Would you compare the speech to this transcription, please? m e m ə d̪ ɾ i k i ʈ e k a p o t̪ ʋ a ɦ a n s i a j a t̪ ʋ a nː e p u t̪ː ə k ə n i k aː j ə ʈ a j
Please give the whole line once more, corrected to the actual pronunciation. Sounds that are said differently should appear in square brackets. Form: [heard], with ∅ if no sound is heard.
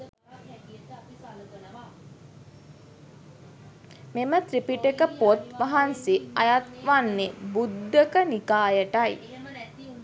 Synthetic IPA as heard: m e m ə [t̪] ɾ i [p] i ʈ e k [ə] p o t̪ ʋ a ɦ a n s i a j a t̪ ʋ a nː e [b] u [d̪ː] ə k ə n i k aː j ə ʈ a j